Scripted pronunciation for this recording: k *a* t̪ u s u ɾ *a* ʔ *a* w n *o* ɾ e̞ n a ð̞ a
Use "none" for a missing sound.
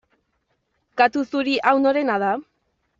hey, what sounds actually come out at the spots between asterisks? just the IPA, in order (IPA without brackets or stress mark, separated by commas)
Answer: a, i, a, o